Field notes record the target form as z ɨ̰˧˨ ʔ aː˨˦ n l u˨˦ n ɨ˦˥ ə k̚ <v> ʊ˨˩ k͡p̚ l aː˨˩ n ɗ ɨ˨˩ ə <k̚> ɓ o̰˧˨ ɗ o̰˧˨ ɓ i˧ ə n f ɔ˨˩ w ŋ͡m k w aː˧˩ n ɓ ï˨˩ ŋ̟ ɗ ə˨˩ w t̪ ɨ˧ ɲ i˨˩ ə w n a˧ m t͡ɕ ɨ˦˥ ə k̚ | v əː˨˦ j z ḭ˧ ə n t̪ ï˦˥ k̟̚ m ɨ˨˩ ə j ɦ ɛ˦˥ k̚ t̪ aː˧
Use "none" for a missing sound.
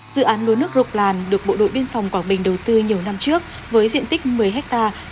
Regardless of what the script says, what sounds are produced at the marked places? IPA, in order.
z, k̚

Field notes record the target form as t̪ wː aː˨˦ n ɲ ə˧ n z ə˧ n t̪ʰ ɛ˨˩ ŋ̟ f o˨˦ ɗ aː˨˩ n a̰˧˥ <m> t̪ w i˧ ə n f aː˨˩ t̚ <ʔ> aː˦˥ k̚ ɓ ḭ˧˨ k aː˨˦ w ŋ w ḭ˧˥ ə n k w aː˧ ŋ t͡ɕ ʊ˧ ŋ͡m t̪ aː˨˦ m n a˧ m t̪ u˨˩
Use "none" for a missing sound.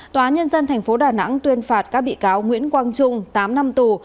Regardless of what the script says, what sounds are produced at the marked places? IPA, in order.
ŋ, k

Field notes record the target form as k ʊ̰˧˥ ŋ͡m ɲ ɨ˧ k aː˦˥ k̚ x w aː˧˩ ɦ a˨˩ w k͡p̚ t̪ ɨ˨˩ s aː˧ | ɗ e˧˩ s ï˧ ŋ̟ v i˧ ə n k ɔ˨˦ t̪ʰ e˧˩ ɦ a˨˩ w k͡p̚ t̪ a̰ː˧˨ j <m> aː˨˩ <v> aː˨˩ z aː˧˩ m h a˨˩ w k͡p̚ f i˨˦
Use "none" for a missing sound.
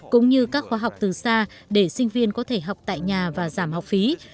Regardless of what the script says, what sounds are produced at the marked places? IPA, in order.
ɲ, v

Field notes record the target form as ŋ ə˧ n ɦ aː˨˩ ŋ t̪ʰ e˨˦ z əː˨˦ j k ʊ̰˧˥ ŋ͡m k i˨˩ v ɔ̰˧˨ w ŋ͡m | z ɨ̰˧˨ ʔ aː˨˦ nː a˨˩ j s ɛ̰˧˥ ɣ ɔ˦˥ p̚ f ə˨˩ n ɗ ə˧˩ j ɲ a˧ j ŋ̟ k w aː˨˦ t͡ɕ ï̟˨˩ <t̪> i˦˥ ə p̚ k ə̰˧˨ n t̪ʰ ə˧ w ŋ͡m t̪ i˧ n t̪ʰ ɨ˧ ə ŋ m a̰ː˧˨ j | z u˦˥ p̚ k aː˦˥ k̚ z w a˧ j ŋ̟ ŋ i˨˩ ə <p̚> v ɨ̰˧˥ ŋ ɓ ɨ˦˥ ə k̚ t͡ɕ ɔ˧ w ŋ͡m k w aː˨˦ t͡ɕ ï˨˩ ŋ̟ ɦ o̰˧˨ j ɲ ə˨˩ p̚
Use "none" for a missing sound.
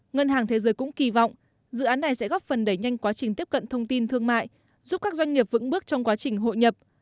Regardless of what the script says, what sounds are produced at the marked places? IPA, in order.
t̪, p̚

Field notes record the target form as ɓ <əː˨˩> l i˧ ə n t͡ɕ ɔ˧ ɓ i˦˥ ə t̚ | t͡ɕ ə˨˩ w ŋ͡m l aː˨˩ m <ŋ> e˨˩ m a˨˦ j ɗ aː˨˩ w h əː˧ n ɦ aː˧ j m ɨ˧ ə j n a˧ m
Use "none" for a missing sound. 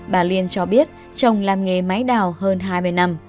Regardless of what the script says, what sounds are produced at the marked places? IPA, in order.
aː˨˩, ŋ

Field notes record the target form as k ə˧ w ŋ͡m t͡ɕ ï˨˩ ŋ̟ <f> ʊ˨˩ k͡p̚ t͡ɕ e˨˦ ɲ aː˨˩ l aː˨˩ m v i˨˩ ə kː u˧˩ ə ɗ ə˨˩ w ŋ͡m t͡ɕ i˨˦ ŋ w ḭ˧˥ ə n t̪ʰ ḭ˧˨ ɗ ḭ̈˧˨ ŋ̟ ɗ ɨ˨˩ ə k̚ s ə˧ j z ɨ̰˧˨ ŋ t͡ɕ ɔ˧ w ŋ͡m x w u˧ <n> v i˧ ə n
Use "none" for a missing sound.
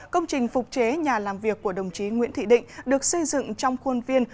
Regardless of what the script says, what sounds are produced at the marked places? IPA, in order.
f, n

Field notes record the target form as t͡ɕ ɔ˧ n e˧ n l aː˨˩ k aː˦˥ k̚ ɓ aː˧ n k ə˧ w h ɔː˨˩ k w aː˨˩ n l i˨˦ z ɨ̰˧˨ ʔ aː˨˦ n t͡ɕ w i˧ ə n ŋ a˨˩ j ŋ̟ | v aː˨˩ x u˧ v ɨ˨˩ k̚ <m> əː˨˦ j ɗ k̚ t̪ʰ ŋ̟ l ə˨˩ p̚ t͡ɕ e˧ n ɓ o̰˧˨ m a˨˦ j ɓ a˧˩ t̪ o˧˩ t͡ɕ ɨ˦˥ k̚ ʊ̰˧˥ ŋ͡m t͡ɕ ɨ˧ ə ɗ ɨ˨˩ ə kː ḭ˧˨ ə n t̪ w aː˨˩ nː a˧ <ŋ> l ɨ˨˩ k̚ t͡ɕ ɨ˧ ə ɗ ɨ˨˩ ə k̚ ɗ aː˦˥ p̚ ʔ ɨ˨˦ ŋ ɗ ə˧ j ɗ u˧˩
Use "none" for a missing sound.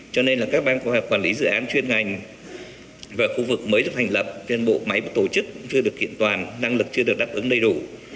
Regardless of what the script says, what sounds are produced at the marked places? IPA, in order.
m, ŋ

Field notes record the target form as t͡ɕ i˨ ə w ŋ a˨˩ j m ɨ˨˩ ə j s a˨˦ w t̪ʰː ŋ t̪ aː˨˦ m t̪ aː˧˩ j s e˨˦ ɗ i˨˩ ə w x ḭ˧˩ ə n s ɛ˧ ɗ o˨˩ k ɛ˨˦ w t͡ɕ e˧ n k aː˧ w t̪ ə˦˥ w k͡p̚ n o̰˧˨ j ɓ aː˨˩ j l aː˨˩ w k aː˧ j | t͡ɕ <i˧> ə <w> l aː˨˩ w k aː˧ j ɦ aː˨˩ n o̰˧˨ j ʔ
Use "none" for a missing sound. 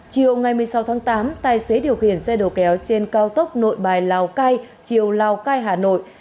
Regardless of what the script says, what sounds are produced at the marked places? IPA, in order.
i˨˩, w

